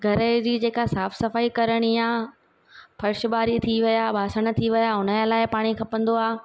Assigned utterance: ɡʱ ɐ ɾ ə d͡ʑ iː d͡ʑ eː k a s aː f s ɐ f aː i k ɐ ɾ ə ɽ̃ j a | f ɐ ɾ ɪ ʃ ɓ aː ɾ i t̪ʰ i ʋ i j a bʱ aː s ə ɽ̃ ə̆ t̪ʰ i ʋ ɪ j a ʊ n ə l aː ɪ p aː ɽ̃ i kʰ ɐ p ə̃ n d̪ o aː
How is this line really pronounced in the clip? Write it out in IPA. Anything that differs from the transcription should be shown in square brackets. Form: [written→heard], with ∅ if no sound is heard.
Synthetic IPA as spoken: ɡʱ ɐ ɾ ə d͡ʑ iː d͡ʑ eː k a s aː f s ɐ f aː i k ɐ ɾ ə ɽ̃ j a | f ɐ ɾ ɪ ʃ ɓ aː ɾ i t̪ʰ i ʋ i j a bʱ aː s ə ɽ̃ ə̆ t̪ʰ i ʋ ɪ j a ʊ n ə l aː ɪ p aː ɽ̃ i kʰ ɐ p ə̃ n d̪ o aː